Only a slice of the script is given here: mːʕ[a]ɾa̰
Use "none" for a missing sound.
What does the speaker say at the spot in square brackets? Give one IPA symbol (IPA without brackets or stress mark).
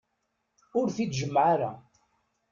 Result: a